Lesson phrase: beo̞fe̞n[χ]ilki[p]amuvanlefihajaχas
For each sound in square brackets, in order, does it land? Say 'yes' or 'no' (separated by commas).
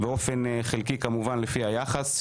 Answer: yes, no